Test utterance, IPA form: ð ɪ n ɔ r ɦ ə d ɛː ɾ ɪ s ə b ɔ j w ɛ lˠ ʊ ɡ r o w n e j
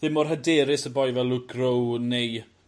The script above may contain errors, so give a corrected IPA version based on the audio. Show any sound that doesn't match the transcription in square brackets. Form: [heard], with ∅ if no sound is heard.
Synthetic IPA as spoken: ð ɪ [m] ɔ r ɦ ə d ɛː ɾ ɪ s ə b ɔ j [v] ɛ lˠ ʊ ɡ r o w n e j